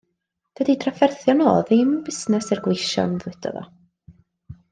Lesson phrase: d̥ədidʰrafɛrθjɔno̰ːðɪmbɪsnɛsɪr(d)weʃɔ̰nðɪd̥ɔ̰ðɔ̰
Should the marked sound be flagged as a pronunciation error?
yes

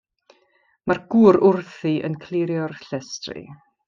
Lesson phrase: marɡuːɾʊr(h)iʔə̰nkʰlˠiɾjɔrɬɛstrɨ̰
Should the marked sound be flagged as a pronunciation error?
yes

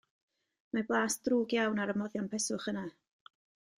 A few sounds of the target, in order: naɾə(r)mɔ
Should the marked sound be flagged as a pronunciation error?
yes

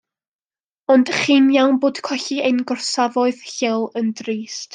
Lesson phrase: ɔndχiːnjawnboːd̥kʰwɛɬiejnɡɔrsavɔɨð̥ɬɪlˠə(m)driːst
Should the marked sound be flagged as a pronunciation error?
yes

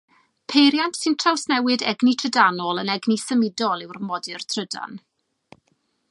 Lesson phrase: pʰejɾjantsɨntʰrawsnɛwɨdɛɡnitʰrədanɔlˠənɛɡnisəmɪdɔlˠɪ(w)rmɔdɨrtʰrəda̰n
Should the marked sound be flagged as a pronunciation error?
no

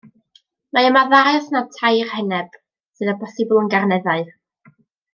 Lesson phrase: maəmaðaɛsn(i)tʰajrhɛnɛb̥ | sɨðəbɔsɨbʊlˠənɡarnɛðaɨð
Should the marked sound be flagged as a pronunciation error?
yes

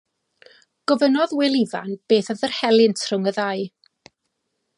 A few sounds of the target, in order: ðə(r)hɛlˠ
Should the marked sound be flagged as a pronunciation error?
no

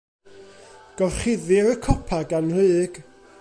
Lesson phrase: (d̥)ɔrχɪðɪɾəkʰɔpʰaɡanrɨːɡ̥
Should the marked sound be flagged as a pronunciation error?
yes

